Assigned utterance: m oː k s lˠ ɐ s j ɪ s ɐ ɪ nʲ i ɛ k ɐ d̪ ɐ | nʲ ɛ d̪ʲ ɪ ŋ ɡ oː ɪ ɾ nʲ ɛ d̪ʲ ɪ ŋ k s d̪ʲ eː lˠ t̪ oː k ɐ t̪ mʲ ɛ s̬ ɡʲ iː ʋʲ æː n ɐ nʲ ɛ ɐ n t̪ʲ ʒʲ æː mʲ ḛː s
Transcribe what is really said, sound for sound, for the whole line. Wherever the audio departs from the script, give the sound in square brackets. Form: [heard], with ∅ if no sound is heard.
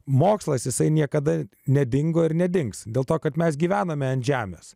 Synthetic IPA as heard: m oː k s lˠ ɐ s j ɪ s ɐ ɪ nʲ i ɛ k ɐ d̪ ɐ | nʲ ɛ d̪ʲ ɪ ŋ ɡ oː ɪ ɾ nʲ ɛ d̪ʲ ɪ ŋ k s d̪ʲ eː lˠ t̪ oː k ɐ t̪ mʲ ɛ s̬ ɡʲ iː ʋʲ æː n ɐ [mʲ] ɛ ɐ n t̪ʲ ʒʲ æː mʲ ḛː s